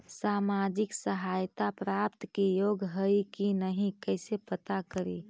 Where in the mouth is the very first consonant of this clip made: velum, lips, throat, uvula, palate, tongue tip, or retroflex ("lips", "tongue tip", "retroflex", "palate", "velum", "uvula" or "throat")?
tongue tip